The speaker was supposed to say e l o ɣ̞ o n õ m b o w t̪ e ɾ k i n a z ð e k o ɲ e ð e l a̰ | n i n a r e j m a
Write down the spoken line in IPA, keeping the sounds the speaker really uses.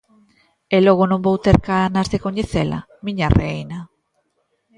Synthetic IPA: e l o ɣ̞ o n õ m b o w t̪ e ɾ k a n a z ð e k o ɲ e θ e l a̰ | m i ɲ a r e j n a